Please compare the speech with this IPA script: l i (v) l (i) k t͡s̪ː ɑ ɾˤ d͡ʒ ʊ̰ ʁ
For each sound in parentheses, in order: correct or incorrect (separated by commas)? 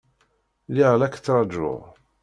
incorrect, incorrect